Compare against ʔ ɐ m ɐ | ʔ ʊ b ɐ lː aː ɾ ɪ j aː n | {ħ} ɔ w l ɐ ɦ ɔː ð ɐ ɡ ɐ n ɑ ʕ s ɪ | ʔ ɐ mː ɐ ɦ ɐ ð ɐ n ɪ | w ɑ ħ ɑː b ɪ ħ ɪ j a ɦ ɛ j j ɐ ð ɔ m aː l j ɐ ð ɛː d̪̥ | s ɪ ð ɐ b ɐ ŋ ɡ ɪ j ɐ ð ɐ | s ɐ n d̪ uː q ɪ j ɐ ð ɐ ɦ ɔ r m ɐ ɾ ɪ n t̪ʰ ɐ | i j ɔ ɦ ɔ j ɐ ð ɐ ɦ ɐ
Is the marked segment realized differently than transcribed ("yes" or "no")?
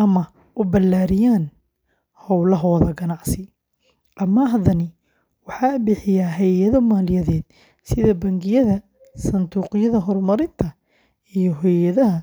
yes